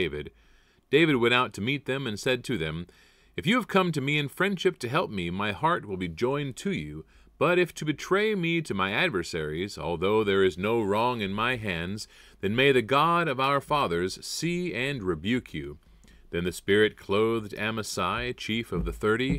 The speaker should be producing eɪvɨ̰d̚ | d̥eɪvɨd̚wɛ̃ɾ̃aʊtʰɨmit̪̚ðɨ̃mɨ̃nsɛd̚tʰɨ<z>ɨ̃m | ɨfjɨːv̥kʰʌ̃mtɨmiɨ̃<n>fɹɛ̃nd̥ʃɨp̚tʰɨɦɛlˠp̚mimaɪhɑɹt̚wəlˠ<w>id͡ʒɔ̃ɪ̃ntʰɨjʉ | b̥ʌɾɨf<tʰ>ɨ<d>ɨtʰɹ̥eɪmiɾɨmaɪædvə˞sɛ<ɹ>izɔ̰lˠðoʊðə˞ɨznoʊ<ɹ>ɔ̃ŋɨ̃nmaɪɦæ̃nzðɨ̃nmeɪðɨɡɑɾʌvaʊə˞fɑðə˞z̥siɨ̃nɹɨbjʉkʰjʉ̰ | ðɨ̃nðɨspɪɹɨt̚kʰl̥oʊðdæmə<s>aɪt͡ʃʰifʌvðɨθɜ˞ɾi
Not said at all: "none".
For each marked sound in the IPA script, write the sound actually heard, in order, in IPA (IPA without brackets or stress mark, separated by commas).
ð, n, b, tʰ, b, ɹ, ɹ, s